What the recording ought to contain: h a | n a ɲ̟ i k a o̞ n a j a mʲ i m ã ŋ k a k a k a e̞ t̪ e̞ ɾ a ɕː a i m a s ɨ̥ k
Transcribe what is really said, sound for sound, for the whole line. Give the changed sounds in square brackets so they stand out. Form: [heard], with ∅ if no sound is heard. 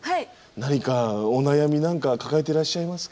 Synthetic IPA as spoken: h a | n a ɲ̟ i k a o̞ n a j a mʲ i [n] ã ŋ k a k a k a e̞ t̪ e̞ ɾ a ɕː a i m a s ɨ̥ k